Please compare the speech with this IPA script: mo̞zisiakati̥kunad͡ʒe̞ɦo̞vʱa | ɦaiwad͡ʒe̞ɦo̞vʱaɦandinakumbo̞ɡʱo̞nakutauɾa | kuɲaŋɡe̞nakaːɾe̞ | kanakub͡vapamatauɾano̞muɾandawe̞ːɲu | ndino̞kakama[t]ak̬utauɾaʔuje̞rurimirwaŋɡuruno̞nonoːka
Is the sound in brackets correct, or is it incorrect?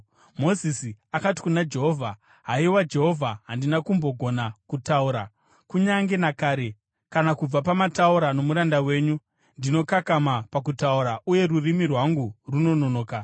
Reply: incorrect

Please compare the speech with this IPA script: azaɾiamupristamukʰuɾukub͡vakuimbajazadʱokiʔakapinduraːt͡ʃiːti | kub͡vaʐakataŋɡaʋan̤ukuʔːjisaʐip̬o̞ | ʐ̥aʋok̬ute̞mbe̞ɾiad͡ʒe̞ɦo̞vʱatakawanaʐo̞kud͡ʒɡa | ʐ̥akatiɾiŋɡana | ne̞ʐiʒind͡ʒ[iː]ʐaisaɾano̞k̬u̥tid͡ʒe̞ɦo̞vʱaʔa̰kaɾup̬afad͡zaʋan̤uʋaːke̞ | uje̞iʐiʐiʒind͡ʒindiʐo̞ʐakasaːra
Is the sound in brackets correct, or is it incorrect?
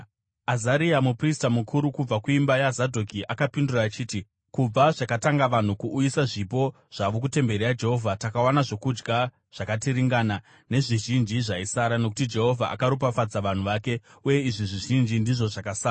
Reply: incorrect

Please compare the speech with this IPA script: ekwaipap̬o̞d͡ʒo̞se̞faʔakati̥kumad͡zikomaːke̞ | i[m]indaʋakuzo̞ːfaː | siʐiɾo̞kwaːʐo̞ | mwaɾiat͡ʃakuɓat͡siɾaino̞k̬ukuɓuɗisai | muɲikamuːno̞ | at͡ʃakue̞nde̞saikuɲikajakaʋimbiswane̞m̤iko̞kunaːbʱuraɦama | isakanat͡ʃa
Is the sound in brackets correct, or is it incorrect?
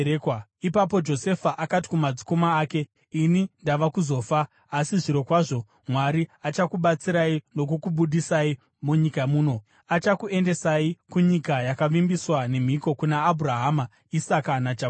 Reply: incorrect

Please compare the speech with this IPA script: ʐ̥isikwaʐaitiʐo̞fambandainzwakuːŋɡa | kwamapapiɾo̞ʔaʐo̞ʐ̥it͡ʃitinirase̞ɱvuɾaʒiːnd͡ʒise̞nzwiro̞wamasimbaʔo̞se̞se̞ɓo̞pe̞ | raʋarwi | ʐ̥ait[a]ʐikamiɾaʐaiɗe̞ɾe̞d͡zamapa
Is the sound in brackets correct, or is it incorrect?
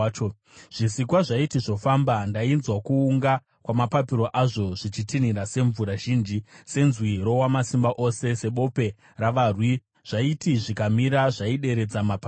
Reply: incorrect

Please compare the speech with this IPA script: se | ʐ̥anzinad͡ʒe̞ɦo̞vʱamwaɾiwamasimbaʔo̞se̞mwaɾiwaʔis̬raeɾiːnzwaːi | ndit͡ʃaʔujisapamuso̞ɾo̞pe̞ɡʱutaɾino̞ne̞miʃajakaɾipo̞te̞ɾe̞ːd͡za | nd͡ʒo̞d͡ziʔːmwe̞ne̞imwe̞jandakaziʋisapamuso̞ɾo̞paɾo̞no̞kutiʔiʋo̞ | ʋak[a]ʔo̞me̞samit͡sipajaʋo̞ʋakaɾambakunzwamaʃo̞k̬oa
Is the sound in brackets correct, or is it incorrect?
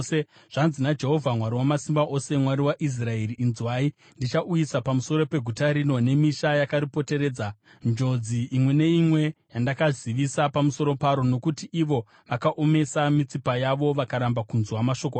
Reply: correct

